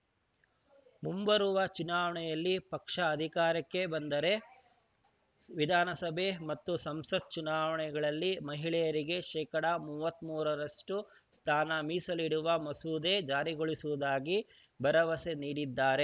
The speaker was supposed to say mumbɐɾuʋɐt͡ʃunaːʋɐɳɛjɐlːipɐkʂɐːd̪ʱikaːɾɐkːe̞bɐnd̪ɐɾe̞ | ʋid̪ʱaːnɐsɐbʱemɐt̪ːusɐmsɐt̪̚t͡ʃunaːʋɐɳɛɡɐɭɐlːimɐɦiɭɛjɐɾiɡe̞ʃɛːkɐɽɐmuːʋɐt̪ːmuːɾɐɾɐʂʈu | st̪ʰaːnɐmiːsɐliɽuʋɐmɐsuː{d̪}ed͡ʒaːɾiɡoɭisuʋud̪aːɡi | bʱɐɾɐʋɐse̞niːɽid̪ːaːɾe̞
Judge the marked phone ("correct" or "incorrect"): correct